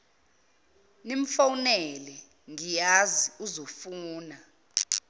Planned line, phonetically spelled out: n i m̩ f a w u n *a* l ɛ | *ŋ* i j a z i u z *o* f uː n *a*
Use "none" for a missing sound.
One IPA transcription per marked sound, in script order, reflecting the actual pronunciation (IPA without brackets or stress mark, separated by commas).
ɛ, ŋ, o, a